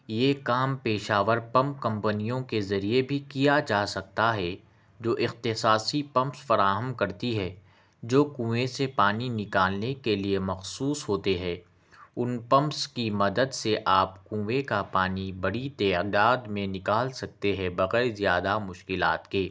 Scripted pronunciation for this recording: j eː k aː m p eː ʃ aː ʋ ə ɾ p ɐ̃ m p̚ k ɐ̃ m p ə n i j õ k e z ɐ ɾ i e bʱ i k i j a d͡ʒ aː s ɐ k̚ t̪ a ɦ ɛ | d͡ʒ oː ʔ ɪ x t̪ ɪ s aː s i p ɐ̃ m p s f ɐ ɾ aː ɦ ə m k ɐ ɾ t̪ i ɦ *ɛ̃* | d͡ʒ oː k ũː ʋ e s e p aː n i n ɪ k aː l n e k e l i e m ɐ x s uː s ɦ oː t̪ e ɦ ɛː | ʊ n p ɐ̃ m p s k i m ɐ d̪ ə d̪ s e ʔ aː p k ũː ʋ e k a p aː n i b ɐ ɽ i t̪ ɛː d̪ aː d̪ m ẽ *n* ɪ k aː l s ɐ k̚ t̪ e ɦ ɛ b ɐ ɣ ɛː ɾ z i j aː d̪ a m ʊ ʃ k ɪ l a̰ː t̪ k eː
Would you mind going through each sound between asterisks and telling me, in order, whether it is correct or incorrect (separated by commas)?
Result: incorrect, correct